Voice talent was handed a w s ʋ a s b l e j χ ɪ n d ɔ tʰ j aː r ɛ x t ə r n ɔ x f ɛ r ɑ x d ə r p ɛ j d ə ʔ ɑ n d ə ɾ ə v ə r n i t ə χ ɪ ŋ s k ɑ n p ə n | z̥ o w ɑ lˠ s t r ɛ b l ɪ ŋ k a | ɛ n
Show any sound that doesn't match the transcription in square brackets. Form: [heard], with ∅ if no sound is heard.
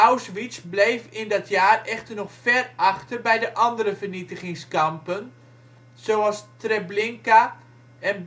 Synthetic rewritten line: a w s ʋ [i] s b l e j [f] ɪ n d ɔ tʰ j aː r ɛ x t ə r n ɔ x f ɛ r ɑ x [t] ə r [b] ɛ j d ə ʔ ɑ n d ə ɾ ə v ə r n i t ə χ ɪ ŋ s k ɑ [m] p ə n | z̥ o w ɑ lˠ s t r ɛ b l ɪ ŋ k a | ɛ n